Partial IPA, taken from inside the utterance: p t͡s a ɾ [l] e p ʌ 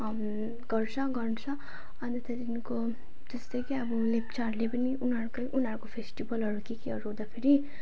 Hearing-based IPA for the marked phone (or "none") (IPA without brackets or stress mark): l